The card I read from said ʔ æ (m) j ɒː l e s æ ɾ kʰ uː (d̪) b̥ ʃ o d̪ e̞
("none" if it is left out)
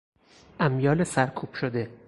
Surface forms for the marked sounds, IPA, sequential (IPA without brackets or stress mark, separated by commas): m, none